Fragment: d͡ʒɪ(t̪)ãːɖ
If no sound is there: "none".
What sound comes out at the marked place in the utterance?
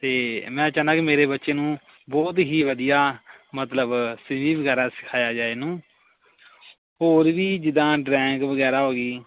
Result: d̪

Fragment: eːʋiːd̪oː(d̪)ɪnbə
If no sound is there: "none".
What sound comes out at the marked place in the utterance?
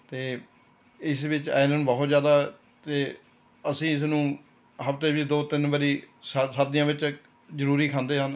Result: t̪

